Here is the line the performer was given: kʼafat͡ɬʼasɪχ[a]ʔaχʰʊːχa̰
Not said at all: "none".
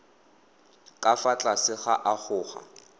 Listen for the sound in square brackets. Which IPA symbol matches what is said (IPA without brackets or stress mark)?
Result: a